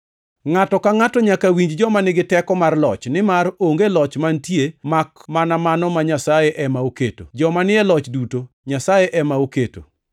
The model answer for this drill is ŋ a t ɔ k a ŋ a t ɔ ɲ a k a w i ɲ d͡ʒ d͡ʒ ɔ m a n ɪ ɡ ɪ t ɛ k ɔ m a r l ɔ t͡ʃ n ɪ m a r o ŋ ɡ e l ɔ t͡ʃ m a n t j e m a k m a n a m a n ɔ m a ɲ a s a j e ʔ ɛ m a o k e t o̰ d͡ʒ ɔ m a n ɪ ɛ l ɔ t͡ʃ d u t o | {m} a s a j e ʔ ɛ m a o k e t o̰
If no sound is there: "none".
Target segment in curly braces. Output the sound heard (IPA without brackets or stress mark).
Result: ɲ